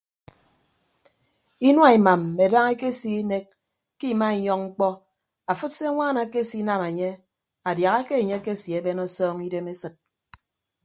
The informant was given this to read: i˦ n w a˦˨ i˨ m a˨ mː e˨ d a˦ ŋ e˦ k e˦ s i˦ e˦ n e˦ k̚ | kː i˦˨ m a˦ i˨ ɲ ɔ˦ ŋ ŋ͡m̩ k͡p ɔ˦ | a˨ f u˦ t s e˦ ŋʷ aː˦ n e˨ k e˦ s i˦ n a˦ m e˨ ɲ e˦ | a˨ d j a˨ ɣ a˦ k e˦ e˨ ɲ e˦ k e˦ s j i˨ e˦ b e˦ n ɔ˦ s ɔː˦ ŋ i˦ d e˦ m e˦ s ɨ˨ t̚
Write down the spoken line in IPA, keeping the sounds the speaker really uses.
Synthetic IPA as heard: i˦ n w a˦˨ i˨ m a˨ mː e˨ d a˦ ŋ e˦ k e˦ s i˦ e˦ n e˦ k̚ | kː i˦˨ m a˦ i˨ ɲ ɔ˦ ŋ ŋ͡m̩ k͡p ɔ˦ | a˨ f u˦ t s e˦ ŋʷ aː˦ n a˨ k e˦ s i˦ n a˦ m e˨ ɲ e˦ | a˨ d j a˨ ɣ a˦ k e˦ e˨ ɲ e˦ k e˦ s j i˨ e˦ b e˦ n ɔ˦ s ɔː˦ ŋ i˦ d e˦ m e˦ s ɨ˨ t̚